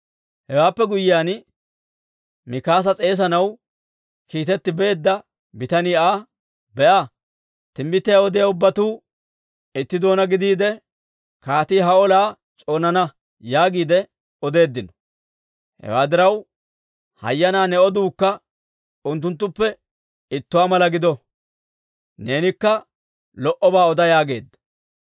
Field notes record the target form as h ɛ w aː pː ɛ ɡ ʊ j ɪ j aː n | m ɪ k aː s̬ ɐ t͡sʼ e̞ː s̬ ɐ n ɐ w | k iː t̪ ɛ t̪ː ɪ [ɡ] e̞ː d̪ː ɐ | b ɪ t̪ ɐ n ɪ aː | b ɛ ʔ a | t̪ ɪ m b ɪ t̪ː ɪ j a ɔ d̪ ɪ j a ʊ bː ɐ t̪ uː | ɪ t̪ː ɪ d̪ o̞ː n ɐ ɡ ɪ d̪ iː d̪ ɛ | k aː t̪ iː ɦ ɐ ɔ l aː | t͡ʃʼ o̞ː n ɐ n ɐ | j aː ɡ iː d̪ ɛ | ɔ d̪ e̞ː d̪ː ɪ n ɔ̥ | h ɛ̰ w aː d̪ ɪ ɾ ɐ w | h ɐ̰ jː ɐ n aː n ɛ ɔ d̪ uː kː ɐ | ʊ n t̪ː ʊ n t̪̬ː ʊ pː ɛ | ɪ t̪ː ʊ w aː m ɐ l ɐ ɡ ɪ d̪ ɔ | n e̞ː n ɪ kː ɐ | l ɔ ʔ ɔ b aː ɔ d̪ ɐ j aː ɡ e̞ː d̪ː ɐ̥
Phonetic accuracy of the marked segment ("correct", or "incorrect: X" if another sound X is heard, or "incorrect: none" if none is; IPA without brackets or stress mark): incorrect: b